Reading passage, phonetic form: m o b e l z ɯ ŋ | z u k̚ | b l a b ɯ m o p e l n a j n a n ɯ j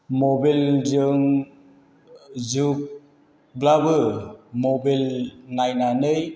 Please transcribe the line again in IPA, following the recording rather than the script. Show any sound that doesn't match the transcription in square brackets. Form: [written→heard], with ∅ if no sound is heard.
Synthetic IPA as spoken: m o b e l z ɯ ŋ | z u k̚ | b l a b ɯ m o [p→b] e l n a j n a n ɯ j

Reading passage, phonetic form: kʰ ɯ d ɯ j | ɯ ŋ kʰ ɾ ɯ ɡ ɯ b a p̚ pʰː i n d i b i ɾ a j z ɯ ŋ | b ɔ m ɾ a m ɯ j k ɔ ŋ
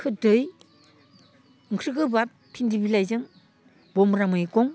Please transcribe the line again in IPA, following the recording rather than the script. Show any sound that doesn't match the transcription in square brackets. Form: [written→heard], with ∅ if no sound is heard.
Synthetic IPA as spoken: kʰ ɯ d ɯ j | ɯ ŋ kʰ ɾ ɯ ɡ ɯ b a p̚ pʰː i n d i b i [ɾ→l] a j z ɯ ŋ | b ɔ m ɾ a m ɯ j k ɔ ŋ

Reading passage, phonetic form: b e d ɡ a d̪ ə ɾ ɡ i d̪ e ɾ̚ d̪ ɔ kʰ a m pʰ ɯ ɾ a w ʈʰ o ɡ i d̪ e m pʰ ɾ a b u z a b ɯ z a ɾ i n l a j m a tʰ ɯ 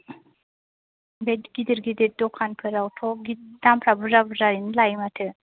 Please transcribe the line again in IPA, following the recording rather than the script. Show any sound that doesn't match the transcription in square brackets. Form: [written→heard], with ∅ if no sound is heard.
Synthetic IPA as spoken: b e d ɡ [a→i] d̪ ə ɾ ɡ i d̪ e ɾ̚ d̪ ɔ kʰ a [m→n] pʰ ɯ ɾ a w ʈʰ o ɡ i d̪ [e→a] m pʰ ɾ a b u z a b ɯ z a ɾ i n l a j m a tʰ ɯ

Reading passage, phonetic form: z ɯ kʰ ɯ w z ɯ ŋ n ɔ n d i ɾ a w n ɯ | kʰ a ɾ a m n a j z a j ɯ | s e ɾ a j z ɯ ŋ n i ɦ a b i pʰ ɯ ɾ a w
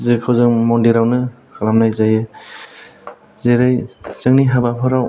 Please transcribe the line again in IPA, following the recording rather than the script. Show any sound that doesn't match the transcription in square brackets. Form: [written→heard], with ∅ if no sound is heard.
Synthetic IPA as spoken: z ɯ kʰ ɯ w z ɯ ŋ [n→m] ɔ n d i ɾ a w n ɯ | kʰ a [ɾ→l] a m n a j z a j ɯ | [s→z] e ɾ a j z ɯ ŋ n i ɦ a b [i→a] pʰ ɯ ɾ a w

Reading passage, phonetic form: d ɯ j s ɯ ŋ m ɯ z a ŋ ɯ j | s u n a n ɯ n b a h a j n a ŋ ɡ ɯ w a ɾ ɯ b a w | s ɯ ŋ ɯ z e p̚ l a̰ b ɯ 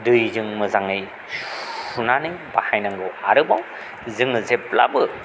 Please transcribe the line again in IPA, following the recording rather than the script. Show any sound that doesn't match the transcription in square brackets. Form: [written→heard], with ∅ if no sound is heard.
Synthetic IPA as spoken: d ɯ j [s→z] ɯ ŋ m ɯ z a ŋ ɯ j | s u n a n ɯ [n→ŋ] b a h a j n a ŋ ɡ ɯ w a ɾ ɯ b a w | [s→z] ɯ ŋ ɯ z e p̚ l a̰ b ɯ

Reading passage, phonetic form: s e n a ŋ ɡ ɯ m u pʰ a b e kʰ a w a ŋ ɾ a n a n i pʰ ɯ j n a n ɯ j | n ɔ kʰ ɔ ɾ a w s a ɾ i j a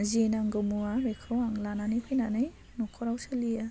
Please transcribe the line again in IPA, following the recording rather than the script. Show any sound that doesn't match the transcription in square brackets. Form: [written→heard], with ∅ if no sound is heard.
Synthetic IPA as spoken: [s→z] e n a ŋ ɡ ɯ m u [pʰ→∅] a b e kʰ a w a ŋ [ɾ→l] a n a n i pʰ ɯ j n a n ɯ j | n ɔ kʰ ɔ ɾ a w s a [ɾ→l] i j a

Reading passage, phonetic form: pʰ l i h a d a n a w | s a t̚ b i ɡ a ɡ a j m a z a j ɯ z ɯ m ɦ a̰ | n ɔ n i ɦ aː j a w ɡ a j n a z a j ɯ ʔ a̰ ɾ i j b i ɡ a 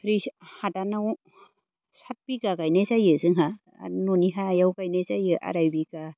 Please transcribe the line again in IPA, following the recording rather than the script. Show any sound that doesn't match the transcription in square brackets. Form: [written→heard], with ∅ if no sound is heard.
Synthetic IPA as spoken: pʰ [l→ɾ] i h a d a n a w | s a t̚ b i ɡ a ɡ a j [m→n] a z a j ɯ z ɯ [m→ŋ] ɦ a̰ | n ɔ n i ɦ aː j a w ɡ a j n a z a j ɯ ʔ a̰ ɾ [i→a] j b i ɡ a

